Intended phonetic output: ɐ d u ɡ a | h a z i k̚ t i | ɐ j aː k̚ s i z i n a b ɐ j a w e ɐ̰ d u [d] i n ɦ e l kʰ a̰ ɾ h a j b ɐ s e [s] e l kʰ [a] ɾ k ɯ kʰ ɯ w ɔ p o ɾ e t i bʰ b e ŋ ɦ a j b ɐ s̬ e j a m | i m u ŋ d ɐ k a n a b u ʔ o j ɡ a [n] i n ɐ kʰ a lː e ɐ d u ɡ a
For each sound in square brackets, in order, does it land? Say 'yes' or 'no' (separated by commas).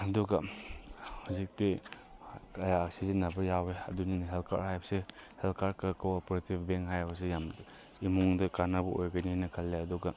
no, no, yes, yes